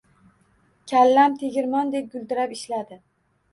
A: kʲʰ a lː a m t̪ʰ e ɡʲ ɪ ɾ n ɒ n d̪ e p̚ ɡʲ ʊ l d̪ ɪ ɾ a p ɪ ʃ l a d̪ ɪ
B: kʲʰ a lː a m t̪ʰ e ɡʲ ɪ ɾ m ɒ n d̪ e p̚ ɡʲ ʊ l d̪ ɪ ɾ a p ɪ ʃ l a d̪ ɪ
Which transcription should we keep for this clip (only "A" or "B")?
B